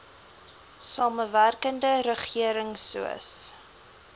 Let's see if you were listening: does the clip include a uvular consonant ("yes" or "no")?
yes